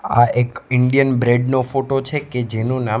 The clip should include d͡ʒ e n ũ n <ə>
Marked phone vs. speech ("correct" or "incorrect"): incorrect